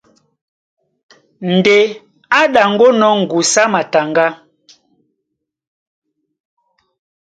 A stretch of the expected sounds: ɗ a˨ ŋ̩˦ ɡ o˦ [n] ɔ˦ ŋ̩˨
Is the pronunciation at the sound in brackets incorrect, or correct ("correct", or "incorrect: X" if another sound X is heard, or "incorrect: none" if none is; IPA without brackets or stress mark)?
correct